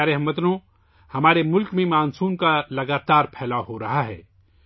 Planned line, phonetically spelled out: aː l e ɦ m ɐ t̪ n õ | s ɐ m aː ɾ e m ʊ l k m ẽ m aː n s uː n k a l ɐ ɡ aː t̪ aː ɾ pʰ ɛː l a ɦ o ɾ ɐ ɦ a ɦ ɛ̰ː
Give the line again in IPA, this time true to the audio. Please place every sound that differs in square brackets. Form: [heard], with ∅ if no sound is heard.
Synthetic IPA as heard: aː [ɾ] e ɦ m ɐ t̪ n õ | [h] ɐ m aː ɾ e m ʊ l k m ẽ m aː n s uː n k a l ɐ ɡ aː t̪ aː ɾ pʰ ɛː l a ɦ o ɾ ɐ ɦ a ɦ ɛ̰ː